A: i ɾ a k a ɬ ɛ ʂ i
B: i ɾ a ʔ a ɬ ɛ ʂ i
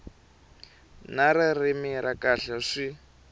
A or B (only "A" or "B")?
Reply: A